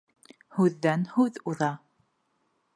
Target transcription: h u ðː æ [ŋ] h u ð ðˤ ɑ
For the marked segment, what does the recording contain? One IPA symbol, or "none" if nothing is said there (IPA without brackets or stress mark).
n